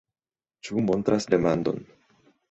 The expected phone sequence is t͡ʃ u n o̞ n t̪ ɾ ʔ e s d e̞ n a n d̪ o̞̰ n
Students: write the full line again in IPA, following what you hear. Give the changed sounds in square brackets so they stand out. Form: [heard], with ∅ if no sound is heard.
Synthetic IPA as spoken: t͡ʃ u [m] o̞ n t̪ ɾ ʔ [a] s d e̞ [m] a n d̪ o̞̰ n